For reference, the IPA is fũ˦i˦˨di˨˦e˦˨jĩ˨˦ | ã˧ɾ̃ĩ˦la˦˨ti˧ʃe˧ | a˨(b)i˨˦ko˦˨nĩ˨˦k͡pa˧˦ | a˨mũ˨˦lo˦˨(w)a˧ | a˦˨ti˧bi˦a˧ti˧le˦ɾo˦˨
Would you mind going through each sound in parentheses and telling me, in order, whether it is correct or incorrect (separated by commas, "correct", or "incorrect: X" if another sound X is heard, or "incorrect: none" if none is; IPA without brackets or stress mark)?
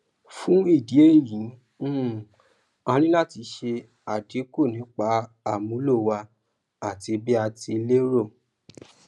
incorrect: d, correct